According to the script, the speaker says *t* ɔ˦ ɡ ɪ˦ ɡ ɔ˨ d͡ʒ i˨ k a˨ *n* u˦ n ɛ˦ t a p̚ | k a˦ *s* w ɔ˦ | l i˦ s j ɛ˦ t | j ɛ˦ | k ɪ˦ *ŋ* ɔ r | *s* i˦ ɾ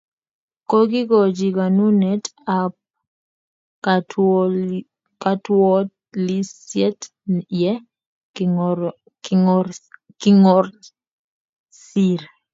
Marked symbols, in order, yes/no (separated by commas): no, yes, no, yes, yes